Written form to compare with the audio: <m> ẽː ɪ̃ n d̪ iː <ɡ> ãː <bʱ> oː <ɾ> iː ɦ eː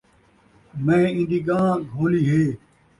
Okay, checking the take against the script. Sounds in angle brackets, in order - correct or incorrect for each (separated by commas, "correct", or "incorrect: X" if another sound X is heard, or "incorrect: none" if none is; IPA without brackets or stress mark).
correct, correct, incorrect: ɡʱ, incorrect: l